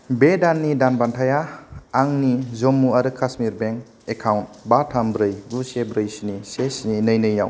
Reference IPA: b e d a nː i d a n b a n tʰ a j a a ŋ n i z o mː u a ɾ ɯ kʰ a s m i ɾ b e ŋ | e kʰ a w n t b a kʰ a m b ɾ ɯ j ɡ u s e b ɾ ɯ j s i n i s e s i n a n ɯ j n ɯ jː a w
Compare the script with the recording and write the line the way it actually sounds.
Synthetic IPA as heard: b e d a nː i d a n b a n tʰ a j a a ŋ n i z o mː u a ɾ ɯ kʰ a s m i ɾ b e ŋ | e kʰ a w n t b a tʰ a m b ɾ ɯ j ɡ u s e b ɾ ɯ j s i n i s e s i n i n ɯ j n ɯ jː a w